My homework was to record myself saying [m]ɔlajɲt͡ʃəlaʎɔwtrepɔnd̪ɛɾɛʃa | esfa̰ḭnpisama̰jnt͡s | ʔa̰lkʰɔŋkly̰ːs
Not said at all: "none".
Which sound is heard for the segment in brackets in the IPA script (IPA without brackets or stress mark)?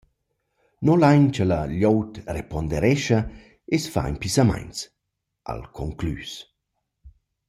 n